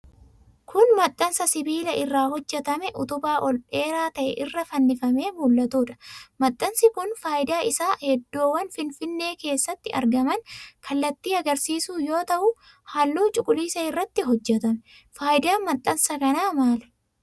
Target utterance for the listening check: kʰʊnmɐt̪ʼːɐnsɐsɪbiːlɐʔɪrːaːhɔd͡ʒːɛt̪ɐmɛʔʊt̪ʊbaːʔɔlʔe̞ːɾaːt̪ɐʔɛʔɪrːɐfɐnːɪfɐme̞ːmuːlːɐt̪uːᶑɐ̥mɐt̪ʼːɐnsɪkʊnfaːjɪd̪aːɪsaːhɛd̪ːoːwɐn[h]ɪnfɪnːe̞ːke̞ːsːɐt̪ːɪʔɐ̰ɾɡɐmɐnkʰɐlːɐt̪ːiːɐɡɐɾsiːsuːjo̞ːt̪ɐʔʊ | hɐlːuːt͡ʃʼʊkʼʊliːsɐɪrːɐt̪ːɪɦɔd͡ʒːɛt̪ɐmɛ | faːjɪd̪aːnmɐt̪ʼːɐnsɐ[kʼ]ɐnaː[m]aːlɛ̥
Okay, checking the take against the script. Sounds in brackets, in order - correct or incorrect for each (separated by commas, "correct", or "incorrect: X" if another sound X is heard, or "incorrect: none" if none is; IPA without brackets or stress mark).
incorrect: f, incorrect: k, correct